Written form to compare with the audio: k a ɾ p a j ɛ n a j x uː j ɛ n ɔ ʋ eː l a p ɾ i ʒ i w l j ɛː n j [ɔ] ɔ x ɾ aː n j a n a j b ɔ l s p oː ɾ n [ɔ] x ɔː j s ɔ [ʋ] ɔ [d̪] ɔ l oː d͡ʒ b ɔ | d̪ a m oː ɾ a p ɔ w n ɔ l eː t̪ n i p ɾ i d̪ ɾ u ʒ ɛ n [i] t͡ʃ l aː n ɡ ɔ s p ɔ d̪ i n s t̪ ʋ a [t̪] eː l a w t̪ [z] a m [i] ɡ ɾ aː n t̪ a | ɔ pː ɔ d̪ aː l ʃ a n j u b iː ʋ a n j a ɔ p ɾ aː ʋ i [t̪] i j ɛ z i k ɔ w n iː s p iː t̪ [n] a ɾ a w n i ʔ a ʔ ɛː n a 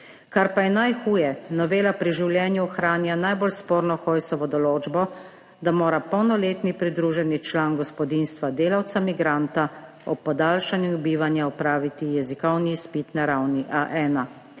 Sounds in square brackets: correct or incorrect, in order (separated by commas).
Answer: incorrect, correct, correct, correct, correct, incorrect, incorrect, correct, correct, correct